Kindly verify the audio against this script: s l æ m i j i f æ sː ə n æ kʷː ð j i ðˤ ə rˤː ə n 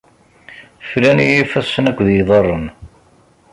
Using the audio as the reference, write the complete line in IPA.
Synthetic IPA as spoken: f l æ n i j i f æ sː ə n æ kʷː ð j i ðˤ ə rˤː ə n